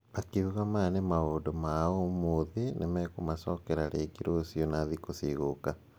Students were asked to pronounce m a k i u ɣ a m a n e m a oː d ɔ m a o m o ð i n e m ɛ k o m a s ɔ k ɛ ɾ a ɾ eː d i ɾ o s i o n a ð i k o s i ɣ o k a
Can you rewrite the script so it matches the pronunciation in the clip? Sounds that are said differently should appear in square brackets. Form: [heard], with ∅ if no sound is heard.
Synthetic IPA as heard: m a k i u ɣ a m a n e m a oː d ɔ m a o m o ð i n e m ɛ k o m a s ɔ k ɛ ɾ a ɾ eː [ɡ] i ɾ o s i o n a ð i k o s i ɣ o k a